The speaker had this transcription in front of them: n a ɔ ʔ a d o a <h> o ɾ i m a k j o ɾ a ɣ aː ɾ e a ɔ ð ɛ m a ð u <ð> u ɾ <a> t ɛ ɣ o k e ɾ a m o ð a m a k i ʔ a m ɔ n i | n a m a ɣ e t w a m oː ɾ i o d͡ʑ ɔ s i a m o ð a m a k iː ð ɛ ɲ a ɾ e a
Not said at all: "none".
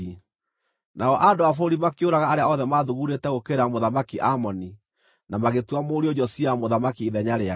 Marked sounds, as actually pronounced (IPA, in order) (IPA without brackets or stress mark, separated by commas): f, ɣ, e